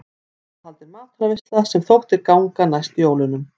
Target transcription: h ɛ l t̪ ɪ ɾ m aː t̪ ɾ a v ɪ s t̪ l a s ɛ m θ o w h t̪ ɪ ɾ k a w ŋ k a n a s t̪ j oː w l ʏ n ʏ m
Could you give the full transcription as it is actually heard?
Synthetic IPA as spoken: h a l t̪ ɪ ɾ m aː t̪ ɾ a v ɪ s t̪ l a s ɛ m θ o w h t̪ ɪ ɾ k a w ŋ k a n a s t̪ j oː w l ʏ n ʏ m